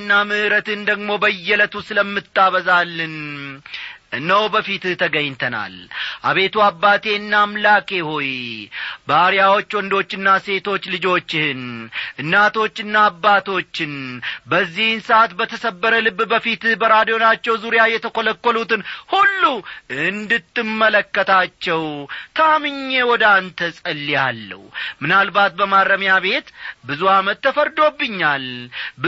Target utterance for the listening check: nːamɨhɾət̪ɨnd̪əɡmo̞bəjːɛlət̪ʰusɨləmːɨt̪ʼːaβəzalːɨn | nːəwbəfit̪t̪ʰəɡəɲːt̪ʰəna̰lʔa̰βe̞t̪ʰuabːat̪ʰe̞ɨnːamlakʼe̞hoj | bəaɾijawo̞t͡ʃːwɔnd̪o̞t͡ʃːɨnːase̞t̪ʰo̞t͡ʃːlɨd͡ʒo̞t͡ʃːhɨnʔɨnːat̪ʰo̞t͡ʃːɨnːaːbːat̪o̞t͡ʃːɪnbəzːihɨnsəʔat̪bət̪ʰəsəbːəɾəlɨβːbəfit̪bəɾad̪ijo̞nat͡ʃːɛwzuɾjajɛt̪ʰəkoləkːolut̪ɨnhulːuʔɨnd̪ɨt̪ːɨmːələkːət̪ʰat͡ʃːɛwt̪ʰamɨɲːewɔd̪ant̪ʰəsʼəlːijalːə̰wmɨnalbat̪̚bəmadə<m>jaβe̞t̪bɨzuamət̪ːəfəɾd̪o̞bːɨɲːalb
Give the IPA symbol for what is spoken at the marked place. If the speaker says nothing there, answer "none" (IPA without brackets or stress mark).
m